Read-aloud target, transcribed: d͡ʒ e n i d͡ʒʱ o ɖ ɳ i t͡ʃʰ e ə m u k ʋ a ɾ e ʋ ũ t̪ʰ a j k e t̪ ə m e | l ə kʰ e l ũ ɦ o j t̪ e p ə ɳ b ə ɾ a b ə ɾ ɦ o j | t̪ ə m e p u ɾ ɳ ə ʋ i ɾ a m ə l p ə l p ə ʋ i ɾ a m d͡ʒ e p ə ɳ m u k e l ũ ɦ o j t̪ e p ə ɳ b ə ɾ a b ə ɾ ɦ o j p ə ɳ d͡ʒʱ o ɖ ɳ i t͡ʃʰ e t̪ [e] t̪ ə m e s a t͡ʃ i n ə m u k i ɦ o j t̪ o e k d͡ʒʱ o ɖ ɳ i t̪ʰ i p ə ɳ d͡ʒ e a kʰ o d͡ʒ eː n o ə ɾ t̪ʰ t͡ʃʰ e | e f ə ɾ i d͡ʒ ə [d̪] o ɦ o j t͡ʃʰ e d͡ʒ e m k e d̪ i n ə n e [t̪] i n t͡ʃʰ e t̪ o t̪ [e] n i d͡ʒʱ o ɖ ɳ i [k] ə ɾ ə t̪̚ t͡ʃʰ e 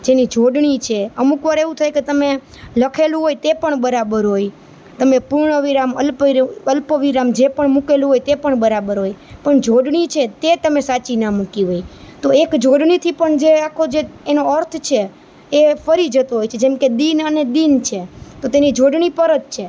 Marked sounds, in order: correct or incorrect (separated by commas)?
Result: correct, incorrect, incorrect, correct, incorrect